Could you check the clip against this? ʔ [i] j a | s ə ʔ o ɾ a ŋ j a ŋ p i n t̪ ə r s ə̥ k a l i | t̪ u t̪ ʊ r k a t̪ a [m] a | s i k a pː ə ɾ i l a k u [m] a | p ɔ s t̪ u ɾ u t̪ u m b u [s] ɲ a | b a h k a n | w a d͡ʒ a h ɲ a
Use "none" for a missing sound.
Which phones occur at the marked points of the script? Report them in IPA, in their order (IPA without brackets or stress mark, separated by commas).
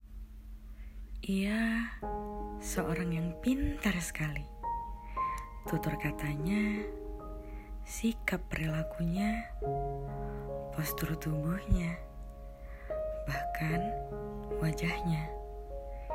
i, ɲ, ɲ, h